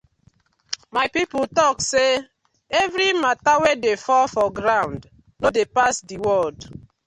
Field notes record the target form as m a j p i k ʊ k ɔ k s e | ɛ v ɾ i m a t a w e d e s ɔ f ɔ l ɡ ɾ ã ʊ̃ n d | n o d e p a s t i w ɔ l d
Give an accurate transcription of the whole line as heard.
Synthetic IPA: m a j p i p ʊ t ɔ k s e | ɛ v ɾ i m a t a w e d e f ɔ f ɔ ɡ ɾ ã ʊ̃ n d | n o d e p a s d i w ɔ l d

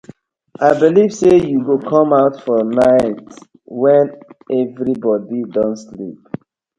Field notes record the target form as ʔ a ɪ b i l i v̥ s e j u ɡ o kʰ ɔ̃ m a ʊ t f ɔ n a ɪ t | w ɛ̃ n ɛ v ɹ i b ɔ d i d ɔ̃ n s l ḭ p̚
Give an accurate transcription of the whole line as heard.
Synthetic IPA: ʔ a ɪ b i l i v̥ s e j u ɡ o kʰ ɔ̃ m a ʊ t f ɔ n a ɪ t | w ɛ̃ n ɛ v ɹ i b ɔ d i d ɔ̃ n s l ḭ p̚

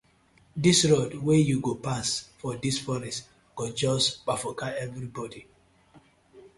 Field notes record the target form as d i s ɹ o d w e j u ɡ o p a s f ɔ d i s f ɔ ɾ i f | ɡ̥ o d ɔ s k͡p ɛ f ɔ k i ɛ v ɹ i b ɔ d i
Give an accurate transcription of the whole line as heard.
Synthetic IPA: d i s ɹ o d w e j u ɡ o p a s f ɔ d i s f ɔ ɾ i s | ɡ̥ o d͡ʒ ɔ s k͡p a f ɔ k a ɛ v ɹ i b ɔ d i

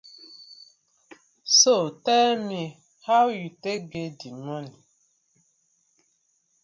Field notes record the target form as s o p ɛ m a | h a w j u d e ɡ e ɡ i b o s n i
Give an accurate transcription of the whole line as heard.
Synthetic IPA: s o t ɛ m i | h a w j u t e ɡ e d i m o n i

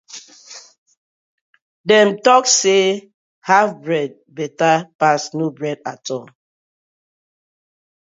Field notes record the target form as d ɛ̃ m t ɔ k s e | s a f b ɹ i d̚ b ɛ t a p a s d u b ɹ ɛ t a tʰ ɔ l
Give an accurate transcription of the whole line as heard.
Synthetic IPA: d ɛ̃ m t ɔ k s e | h a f b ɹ ɛ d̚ b ɛ t a p a s n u b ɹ ɛ d a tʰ ɔ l

